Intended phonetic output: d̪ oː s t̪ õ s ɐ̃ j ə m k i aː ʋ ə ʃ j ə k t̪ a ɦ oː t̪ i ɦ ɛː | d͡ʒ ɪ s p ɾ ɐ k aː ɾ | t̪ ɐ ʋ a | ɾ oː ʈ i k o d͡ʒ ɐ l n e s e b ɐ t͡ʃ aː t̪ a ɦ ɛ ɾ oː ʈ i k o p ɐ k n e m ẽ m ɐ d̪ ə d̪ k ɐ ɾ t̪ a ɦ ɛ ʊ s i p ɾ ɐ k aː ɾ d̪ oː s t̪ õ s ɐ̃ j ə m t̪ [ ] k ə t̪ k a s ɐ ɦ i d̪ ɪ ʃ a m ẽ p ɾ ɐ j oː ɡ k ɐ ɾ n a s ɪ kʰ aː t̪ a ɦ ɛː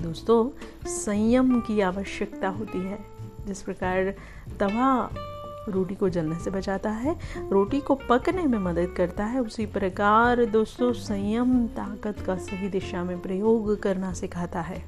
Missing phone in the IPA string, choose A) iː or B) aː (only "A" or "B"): B